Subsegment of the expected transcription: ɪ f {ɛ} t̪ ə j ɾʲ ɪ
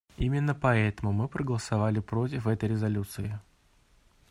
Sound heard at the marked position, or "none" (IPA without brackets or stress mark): ɛ